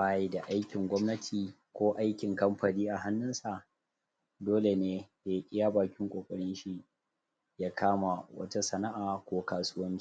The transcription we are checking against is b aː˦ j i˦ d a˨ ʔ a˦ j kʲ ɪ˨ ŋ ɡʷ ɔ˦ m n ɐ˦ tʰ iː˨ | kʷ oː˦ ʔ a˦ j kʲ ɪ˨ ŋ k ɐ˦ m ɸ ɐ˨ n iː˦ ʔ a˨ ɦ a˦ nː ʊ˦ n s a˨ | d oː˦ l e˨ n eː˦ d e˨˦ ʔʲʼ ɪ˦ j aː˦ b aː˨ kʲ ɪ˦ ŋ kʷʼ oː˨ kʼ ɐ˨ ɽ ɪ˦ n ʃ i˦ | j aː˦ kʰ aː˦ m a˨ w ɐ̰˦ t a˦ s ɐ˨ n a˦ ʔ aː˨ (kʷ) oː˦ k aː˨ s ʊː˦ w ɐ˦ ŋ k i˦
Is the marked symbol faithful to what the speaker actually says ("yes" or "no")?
yes